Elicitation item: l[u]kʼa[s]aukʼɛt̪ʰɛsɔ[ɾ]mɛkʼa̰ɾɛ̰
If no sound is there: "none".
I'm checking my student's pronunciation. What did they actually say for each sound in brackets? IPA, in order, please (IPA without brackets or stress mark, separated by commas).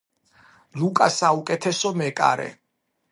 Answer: u, s, none